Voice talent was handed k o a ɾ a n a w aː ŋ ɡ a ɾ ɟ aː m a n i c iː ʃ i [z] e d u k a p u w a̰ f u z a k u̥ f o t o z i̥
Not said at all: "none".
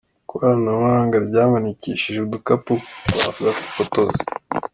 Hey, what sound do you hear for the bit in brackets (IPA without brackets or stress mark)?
ʒ